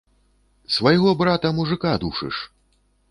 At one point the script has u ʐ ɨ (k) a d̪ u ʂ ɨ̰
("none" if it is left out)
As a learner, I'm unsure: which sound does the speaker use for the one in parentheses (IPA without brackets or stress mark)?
k